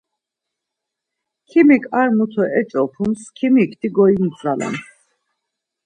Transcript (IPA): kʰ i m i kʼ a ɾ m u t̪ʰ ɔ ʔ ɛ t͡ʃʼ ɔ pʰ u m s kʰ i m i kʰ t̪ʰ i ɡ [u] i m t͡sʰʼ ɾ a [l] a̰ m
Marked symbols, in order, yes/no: no, yes

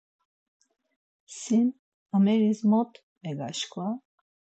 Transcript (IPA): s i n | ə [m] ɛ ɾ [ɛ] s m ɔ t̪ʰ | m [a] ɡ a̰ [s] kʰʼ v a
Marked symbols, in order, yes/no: yes, no, no, no

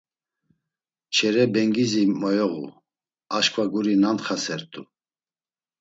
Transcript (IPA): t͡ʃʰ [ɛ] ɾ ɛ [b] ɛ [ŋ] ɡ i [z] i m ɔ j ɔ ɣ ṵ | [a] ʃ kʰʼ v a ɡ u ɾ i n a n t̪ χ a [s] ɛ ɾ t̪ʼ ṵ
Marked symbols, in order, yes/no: yes, yes, yes, yes, yes, yes

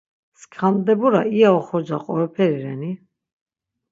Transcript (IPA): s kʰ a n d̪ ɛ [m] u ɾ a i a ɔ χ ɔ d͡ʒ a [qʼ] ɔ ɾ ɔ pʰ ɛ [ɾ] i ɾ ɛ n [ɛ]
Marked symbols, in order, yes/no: no, yes, yes, no

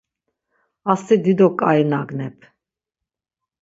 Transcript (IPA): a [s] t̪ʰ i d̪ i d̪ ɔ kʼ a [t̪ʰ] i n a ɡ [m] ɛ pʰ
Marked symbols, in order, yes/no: yes, no, no

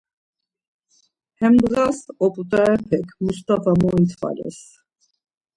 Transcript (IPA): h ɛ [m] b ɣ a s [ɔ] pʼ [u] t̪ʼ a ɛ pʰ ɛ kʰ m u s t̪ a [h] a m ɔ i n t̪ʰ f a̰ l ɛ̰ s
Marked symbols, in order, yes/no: yes, yes, yes, no

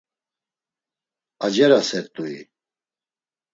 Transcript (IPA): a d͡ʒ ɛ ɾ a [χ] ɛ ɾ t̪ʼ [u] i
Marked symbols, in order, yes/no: no, yes

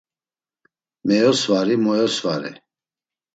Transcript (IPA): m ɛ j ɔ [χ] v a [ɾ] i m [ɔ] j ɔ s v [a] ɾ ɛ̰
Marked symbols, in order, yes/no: no, yes, yes, yes

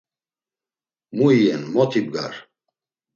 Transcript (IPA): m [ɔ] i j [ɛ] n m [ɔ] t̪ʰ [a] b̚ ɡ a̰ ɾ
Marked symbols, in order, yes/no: no, yes, yes, no

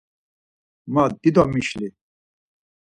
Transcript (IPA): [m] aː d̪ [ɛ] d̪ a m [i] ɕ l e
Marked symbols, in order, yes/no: yes, no, yes

